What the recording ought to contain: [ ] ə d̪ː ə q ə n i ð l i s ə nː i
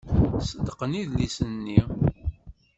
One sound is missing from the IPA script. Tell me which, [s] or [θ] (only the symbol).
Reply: s